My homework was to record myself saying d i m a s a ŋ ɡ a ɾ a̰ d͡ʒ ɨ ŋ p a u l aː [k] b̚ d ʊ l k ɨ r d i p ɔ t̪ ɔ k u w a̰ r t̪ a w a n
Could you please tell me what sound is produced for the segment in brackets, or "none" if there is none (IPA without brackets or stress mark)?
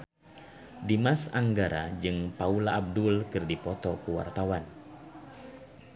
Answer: none